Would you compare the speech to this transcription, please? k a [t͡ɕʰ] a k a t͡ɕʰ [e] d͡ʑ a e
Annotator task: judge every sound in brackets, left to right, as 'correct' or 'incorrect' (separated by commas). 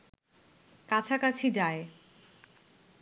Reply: correct, incorrect